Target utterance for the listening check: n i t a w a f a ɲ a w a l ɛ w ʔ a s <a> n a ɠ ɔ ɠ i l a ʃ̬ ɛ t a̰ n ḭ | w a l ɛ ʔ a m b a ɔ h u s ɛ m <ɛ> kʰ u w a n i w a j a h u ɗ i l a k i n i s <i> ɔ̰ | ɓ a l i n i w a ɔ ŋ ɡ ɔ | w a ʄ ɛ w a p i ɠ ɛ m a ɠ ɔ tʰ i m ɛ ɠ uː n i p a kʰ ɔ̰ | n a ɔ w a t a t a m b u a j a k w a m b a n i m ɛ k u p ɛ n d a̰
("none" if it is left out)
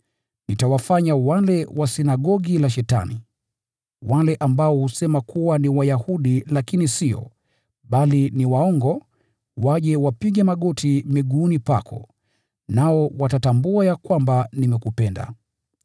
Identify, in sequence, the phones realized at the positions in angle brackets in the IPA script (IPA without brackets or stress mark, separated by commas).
i, a, i